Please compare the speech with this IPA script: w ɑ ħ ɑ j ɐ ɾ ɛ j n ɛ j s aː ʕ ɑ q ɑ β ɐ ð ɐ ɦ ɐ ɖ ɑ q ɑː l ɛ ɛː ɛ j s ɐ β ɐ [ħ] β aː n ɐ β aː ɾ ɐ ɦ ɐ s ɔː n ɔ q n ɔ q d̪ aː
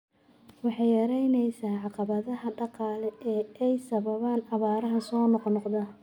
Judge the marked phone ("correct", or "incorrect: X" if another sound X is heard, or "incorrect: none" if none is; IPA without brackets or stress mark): incorrect: none